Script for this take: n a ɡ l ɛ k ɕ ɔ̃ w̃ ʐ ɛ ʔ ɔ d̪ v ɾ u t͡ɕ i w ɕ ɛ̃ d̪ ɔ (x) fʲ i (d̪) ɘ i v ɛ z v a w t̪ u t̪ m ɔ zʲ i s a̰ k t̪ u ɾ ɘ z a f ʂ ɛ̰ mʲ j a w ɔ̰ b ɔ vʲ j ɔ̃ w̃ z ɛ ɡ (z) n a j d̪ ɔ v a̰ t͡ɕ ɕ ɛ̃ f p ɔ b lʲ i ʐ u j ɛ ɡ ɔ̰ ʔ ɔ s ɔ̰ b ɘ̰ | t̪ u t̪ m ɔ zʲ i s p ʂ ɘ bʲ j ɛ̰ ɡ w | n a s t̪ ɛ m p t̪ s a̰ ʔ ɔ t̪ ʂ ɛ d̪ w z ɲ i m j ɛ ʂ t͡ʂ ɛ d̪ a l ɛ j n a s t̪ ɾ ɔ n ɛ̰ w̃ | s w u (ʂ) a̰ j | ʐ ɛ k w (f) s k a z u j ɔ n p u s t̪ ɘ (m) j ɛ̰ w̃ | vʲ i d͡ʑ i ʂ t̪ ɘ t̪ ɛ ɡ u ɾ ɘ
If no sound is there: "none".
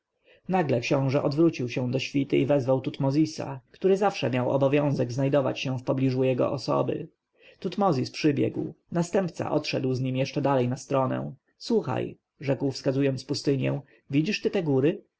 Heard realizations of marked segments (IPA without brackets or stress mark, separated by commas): ɕ, t̪, z, x, f, ɲ